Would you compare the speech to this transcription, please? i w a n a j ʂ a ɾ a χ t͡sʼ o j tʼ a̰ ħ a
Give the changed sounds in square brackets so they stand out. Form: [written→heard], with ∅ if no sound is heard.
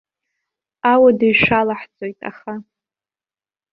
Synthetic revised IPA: [i→a] w a [n→d] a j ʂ a [ɾ→l] a [χ→ħ] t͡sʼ o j tʼ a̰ [ħ→χ] a